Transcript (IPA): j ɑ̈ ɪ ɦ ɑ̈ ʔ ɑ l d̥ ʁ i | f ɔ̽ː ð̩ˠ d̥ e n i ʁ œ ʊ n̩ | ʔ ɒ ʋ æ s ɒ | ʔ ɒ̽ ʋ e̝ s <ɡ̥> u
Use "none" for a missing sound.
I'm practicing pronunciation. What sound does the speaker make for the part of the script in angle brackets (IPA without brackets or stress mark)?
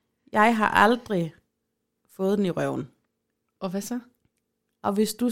d̥